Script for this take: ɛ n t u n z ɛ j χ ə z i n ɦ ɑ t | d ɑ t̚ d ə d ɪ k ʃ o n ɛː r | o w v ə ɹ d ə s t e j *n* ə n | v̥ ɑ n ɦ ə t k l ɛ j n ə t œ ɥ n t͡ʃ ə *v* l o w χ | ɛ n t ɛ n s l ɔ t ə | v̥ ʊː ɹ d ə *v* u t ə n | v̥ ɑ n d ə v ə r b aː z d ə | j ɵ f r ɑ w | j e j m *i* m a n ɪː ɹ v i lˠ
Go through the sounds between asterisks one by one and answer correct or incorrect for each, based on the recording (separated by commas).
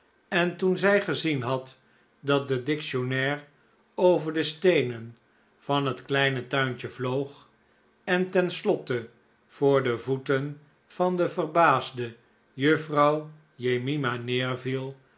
correct, correct, correct, correct